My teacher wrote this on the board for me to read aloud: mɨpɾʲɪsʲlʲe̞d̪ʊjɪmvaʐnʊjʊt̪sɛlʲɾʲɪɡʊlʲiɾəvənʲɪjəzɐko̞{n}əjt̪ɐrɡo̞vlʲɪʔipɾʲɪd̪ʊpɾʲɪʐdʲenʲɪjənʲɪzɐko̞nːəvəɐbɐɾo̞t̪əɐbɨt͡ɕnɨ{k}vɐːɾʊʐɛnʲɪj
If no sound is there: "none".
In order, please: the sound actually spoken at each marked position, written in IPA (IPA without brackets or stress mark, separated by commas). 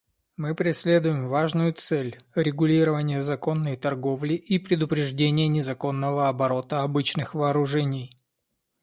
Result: nː, x